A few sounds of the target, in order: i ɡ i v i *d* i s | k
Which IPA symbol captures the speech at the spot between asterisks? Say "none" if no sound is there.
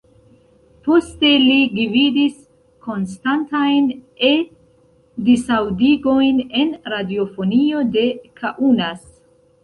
d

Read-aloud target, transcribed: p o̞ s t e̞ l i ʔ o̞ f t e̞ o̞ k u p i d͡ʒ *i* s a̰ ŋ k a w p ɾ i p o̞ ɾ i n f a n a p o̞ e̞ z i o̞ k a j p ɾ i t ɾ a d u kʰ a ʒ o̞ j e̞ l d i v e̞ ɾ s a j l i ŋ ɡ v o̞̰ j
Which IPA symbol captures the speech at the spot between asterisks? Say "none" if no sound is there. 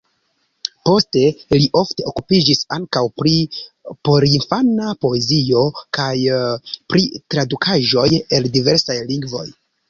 i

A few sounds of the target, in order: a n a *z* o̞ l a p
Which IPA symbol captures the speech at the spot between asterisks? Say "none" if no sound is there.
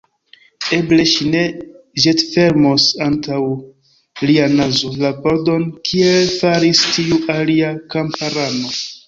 z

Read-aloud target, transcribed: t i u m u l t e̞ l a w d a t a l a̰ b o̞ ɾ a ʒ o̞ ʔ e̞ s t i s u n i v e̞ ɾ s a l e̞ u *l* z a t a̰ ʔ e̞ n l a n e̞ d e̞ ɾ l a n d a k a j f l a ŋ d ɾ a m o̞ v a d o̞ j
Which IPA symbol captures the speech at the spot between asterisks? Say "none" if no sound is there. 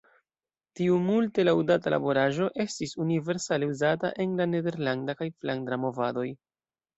none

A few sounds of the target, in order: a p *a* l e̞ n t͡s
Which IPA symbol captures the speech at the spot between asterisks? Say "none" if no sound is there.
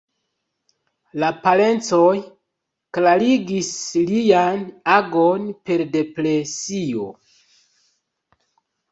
a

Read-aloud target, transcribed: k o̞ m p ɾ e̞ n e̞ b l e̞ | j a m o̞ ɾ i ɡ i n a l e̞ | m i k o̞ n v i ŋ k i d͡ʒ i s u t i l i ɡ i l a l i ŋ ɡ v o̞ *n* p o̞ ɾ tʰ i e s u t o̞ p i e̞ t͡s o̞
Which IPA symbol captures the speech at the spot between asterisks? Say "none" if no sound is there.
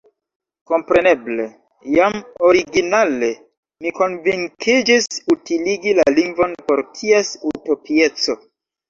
n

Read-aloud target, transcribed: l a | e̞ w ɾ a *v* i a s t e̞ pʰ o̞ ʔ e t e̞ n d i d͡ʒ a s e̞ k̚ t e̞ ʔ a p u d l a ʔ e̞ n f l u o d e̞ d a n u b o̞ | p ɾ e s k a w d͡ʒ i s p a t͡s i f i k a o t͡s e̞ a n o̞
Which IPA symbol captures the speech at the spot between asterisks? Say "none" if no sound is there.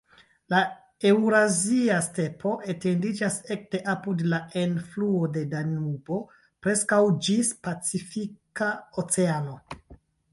z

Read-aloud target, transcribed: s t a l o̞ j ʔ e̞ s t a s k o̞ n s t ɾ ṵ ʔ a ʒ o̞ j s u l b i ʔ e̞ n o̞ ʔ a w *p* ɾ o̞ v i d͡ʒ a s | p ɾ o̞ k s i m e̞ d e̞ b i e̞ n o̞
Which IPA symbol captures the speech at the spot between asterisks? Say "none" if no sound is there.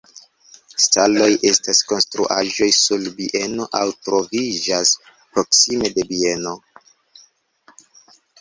t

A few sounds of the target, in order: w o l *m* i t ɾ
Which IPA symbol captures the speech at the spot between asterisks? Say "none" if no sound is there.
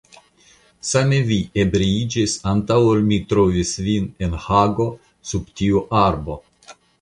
m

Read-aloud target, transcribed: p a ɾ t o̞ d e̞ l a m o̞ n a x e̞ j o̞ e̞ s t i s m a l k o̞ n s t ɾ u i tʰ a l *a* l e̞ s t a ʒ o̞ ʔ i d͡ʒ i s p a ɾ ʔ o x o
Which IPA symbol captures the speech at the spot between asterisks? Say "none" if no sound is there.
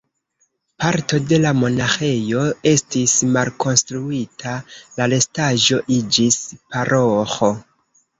a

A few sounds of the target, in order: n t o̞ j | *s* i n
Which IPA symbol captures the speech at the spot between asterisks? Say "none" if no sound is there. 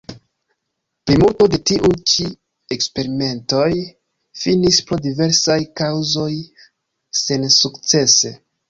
f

